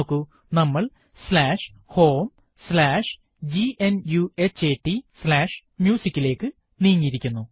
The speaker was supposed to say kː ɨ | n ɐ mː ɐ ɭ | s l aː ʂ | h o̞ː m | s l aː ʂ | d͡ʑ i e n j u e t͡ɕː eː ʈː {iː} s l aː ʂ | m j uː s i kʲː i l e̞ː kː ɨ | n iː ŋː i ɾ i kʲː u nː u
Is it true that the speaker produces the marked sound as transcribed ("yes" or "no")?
no